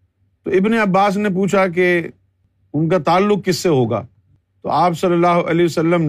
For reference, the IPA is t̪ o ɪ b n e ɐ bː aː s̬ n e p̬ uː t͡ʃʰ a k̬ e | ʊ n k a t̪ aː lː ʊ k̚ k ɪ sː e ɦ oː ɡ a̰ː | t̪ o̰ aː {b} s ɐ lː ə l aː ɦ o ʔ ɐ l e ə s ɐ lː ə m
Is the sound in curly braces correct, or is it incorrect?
incorrect